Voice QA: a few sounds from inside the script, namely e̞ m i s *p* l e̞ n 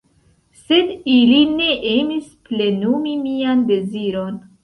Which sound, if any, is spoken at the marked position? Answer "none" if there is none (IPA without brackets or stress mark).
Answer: p